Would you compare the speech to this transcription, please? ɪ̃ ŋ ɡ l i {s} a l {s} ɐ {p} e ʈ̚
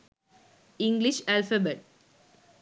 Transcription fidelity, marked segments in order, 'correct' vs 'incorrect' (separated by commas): incorrect, incorrect, incorrect